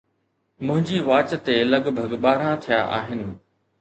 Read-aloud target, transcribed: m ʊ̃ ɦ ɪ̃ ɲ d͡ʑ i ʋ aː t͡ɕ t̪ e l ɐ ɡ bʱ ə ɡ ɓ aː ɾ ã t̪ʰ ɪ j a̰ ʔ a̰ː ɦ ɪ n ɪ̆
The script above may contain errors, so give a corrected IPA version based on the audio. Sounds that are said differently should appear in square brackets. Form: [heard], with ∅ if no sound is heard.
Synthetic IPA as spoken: m ʊ̃ ɦ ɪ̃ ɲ d͡ʑ i ʋ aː t͡ɕ t̪ e l ɐ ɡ bʱ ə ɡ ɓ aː ɾ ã t̪ʰ [i] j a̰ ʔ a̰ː ɦ ɪ n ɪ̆